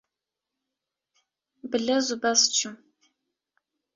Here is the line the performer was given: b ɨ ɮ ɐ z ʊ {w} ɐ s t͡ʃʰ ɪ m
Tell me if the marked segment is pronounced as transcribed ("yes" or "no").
no